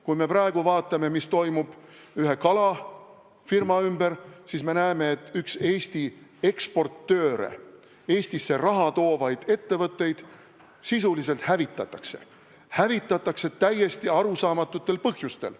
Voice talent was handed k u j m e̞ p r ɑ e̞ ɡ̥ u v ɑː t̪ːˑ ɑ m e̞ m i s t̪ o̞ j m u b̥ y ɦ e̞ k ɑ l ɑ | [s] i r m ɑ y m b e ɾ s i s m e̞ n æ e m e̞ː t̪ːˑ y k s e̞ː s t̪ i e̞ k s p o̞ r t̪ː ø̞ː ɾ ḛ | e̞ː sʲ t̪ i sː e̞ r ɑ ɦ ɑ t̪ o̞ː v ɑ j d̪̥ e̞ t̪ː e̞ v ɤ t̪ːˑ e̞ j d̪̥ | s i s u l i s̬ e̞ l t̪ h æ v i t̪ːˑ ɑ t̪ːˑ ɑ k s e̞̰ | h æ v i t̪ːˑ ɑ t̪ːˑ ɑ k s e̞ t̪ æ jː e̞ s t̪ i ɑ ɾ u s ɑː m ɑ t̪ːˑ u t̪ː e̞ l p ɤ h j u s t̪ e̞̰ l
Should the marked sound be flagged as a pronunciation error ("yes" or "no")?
yes